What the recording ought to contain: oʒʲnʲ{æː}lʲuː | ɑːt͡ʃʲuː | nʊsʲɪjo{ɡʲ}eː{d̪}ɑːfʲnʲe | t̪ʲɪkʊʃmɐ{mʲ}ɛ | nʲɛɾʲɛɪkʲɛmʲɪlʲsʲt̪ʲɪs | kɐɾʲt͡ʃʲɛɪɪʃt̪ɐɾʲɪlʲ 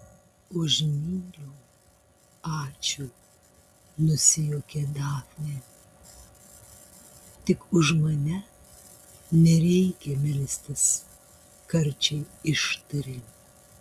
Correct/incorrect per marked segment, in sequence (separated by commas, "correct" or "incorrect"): incorrect, incorrect, correct, incorrect